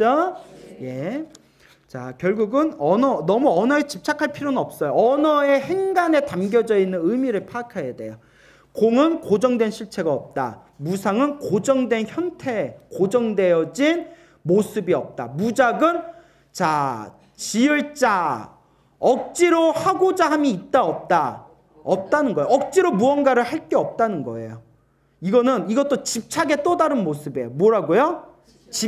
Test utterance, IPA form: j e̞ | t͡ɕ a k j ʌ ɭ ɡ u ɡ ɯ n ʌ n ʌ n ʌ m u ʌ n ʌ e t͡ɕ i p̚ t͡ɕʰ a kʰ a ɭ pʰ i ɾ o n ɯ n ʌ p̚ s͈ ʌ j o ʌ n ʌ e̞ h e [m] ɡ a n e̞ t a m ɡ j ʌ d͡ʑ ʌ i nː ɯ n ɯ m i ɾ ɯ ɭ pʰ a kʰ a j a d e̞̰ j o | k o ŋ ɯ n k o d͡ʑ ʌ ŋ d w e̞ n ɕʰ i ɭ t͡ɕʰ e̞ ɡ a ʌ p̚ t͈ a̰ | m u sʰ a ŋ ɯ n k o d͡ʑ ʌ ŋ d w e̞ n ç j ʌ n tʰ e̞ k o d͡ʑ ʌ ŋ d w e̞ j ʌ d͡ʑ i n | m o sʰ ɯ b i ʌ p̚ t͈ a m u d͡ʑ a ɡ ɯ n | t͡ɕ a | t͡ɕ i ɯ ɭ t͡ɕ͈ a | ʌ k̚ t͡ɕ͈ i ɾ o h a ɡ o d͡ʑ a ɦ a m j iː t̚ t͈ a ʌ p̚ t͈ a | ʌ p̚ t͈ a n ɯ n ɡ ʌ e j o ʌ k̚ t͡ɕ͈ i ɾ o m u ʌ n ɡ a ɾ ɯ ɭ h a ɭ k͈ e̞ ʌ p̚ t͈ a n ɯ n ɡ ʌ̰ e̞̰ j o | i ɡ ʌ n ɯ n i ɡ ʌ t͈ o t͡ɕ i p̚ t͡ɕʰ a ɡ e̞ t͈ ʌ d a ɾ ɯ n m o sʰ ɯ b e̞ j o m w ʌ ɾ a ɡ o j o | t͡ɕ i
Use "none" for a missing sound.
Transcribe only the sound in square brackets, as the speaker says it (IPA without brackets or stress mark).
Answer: ŋ